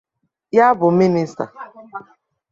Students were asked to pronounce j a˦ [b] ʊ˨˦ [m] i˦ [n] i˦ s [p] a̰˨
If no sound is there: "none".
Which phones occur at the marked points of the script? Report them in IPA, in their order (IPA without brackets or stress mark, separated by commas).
b, m, n, t